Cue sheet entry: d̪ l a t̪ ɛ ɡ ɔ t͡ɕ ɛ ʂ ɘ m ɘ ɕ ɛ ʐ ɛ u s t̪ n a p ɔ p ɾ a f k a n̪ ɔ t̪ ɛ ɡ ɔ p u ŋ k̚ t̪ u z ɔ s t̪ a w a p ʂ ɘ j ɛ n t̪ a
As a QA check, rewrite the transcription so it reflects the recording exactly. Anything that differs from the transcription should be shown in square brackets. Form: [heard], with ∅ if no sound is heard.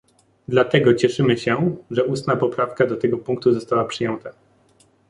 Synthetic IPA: d̪ l a t̪ ɛ ɡ ɔ t͡ɕ ɛ ʂ ɘ m ɘ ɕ ɛ ʐ ɛ u s t̪ n a p ɔ p ɾ a f k a [d̪] ɔ t̪ ɛ ɡ ɔ p u ŋ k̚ t̪ u z ɔ s t̪ a w a p ʂ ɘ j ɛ n t̪ a